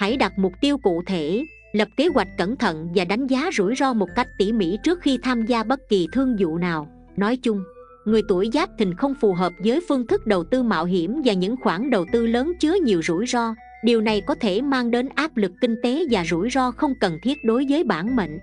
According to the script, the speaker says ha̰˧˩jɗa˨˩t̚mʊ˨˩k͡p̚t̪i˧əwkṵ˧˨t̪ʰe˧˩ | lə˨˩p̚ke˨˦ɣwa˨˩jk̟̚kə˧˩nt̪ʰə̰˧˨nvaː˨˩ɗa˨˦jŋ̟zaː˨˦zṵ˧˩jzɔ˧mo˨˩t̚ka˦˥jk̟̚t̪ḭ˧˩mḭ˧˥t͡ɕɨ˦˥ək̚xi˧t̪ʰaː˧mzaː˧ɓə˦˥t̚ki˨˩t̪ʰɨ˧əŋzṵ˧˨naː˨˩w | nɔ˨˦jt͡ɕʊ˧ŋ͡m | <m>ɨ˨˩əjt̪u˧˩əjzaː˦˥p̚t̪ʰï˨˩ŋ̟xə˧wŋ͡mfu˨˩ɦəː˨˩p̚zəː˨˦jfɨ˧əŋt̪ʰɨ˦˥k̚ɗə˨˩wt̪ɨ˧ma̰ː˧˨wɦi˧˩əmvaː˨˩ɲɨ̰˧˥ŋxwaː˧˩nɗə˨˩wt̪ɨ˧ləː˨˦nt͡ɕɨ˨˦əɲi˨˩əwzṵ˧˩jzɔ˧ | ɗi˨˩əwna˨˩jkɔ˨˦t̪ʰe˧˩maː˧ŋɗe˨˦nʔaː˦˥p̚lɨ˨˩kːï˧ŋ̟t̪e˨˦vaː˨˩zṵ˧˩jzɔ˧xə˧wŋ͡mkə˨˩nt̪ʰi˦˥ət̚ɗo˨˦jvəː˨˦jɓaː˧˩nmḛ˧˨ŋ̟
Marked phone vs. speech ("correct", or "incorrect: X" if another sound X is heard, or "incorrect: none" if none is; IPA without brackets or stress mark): incorrect: ŋ